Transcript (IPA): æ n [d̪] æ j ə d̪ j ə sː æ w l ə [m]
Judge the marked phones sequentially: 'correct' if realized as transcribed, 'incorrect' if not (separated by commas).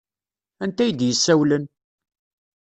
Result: incorrect, incorrect